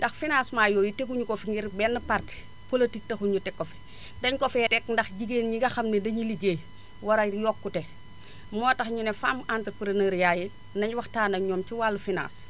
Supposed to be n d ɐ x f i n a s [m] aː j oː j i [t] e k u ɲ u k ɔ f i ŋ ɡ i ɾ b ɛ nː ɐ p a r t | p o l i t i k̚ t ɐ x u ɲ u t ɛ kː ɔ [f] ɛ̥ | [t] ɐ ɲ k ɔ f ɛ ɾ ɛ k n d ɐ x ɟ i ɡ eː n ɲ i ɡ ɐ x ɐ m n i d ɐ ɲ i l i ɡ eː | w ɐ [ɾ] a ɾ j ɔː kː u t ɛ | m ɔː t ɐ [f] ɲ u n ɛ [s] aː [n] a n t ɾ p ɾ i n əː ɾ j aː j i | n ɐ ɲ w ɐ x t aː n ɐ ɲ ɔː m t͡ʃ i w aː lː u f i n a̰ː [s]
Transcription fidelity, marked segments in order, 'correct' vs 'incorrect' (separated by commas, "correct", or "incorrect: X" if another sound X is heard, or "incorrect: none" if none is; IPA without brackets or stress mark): correct, correct, correct, incorrect: d, correct, incorrect: x, incorrect: f, incorrect: m, correct